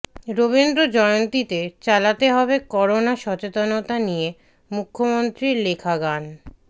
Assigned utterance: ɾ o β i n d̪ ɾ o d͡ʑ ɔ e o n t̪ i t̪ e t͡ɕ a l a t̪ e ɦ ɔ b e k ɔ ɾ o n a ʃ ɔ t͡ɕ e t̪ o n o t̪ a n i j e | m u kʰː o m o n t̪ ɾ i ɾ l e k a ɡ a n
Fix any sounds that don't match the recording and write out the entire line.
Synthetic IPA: ɾ o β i n d̪ ɾ o d͡ʑ ɔ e o n t̪ i t̪ e t͡ɕ a l a t̪ e ɦ ɔ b e k ɔ ɾ o n a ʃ ɔ t͡ɕ e t̪ o n o t̪ a n i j e | m u kʰː o m o n t̪ ɾ i ɾ l e kʰ a ɡ a n